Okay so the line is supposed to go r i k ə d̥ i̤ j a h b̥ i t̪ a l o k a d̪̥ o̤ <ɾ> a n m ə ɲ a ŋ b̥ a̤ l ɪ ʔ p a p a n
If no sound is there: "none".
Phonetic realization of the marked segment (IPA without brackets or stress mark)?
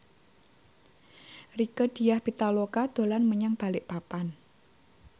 l